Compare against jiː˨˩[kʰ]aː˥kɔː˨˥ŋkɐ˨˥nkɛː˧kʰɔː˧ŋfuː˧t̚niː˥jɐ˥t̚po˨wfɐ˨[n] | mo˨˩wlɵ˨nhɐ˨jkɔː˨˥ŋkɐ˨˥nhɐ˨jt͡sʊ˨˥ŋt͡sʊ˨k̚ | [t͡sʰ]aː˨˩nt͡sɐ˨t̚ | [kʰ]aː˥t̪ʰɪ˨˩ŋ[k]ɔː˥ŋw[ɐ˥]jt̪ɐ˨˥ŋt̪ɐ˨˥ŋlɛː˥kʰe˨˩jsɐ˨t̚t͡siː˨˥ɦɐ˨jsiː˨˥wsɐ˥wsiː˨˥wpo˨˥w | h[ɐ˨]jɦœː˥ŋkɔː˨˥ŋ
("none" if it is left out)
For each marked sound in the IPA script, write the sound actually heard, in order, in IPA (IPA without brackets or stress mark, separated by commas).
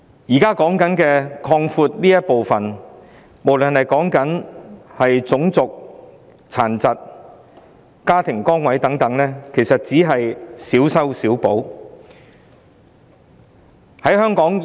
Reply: k, n, t͡sʰ, k, k, ɐ˨˥, ɐ˨˥